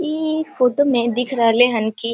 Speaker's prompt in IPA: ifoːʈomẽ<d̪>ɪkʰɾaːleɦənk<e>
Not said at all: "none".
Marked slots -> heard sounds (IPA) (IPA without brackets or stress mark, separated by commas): d̪, i